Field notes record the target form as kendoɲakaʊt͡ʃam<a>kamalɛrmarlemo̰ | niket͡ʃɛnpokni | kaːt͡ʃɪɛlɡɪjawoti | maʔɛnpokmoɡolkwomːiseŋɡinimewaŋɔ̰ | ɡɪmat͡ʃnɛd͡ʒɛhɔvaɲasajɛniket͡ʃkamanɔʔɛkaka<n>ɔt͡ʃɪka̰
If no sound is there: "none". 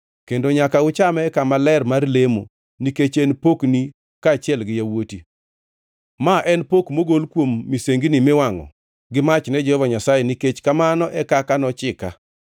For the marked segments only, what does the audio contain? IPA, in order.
ɛ, n

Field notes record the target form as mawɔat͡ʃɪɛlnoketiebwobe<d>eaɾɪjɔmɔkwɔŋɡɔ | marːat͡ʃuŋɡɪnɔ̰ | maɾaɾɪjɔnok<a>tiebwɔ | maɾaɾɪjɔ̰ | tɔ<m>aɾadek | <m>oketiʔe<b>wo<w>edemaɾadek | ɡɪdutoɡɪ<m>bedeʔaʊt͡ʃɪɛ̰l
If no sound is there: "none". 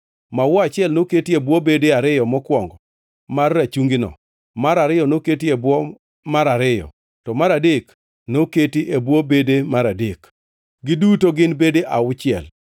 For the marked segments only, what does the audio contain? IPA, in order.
d, e, m, n, b, b, n

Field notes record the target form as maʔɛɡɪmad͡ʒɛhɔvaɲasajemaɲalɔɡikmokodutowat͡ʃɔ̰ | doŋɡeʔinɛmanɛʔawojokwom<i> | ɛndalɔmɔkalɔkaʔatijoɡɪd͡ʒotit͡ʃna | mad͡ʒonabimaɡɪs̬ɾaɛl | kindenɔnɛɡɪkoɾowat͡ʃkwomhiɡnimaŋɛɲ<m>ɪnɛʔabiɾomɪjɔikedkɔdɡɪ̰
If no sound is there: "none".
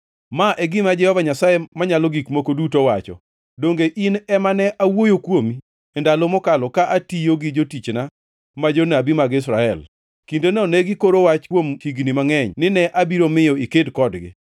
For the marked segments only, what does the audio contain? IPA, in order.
i, n

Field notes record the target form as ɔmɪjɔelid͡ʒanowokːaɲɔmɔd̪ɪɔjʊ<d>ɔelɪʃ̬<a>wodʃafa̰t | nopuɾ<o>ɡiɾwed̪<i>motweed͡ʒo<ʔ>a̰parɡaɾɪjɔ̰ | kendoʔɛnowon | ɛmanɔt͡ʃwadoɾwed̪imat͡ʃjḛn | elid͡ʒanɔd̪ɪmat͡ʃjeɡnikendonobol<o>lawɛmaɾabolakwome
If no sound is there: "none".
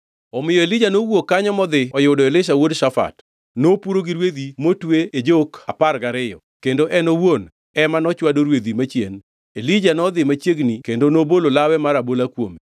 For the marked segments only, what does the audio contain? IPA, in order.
d, a, o, i, k, o

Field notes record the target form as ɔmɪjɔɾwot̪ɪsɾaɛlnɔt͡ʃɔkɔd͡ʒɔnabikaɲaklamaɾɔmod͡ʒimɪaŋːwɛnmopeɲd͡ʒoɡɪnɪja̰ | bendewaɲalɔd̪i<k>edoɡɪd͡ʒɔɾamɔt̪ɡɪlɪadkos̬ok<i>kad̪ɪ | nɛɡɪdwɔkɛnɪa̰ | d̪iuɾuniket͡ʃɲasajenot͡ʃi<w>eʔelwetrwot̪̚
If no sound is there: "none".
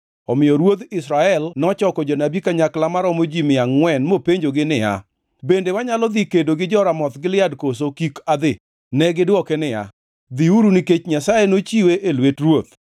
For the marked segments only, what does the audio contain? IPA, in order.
k, i, w

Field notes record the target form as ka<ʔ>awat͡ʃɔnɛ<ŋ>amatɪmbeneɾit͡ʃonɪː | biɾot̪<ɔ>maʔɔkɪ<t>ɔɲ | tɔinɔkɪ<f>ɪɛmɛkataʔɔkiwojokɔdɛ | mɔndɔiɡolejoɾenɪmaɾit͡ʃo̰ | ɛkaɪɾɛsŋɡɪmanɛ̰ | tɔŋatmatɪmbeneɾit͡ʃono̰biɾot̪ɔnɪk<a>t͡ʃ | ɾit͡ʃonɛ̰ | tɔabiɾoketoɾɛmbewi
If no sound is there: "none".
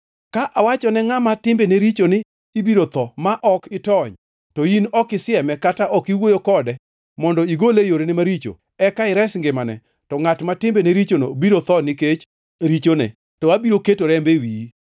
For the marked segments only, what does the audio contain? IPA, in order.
ʔ, ŋ, ɔ, t, s, e

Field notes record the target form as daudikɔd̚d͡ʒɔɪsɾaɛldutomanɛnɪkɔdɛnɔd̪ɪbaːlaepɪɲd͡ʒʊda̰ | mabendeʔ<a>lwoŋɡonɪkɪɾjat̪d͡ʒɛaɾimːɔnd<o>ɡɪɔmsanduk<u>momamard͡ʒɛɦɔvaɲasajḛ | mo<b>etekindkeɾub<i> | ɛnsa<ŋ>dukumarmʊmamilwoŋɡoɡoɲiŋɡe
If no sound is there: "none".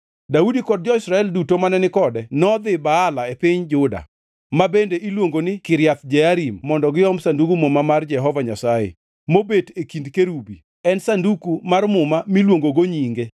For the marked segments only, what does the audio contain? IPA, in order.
i, ɔ, u, b, i, n

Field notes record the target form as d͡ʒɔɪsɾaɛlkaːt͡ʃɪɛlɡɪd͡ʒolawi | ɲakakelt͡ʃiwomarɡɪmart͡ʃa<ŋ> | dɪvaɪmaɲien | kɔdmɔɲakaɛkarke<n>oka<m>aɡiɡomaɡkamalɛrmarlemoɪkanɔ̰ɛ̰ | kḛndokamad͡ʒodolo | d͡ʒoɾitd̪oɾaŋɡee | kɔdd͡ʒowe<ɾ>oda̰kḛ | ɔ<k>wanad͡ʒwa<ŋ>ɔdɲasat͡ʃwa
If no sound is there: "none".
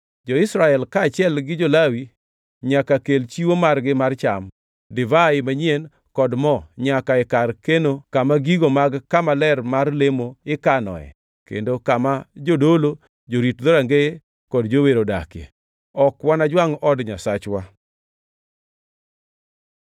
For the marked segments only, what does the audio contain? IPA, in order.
m, n, m, ɾ, k, ŋ

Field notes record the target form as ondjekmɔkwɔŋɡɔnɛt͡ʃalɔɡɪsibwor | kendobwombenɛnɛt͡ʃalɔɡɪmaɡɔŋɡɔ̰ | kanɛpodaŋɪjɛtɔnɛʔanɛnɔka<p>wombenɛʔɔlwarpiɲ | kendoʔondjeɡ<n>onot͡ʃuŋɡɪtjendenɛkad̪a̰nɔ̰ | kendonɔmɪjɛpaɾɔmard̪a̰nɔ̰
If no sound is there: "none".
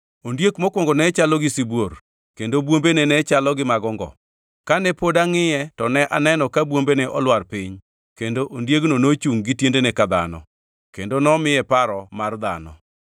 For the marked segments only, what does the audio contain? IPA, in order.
b, n

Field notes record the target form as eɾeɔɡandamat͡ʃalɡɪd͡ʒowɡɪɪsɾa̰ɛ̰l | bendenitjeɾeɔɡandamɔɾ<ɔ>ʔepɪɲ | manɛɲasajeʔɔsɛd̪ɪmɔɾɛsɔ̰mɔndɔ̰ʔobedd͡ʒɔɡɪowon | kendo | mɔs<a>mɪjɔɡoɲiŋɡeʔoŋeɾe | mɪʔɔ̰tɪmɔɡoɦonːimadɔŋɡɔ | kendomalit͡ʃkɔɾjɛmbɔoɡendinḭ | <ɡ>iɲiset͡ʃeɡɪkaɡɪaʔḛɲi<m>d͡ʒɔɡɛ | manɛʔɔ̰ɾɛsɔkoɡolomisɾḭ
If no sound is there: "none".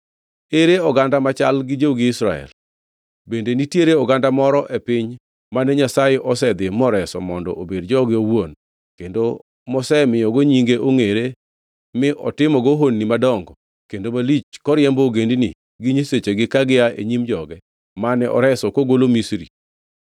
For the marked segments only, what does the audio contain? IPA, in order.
ɔ, ɛ, ɡ, m

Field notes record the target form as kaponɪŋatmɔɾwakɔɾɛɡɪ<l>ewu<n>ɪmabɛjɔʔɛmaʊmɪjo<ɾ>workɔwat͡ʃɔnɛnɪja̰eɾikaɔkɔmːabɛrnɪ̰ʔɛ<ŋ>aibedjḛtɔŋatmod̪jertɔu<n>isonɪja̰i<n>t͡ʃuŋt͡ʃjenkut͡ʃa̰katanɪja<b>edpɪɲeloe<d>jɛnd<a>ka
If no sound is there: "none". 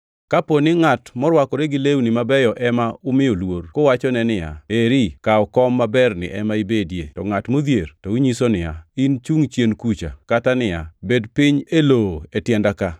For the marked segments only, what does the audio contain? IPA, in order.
l, n, l, m, ɲ, n, b, t, a

